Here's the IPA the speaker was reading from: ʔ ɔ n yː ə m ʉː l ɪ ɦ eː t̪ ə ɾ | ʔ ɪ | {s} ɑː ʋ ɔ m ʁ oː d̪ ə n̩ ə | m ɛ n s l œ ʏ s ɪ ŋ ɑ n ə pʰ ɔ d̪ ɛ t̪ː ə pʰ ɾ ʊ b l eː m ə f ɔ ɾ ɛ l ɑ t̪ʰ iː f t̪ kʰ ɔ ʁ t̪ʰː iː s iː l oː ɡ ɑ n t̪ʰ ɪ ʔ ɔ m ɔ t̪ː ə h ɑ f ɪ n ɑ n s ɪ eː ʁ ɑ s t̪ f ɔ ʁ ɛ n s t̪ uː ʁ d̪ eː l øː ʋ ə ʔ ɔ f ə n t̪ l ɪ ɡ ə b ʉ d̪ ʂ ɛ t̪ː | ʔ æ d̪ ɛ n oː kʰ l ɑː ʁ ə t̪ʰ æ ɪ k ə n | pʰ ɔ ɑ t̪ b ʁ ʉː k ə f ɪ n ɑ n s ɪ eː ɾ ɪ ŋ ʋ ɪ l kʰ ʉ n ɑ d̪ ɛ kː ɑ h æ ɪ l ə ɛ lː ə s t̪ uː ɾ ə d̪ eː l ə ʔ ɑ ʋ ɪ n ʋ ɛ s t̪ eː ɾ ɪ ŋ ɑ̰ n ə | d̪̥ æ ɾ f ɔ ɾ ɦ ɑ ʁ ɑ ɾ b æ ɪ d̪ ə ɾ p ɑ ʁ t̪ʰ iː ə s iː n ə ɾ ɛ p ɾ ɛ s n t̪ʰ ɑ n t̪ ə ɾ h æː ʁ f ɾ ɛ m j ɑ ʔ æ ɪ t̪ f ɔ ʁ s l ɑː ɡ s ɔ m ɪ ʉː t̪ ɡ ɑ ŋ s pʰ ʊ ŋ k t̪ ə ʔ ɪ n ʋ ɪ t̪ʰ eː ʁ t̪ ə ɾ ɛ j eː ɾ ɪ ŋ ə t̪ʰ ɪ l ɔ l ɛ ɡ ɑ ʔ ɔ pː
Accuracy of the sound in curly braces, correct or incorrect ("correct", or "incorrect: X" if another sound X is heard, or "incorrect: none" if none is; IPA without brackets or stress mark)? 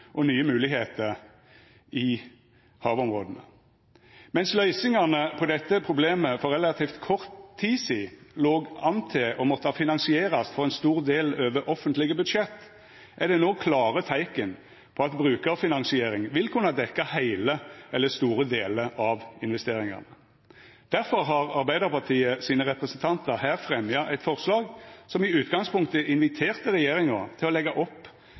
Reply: incorrect: h